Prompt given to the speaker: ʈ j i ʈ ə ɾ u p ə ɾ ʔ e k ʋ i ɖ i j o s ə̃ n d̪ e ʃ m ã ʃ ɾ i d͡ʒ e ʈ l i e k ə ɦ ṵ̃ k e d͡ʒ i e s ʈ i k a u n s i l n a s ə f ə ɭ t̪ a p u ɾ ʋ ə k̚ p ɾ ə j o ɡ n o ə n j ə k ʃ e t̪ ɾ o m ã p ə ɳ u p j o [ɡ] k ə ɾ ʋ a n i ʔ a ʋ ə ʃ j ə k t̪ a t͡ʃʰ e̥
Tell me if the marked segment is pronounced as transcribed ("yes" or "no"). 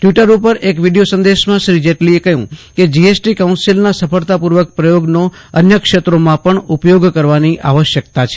yes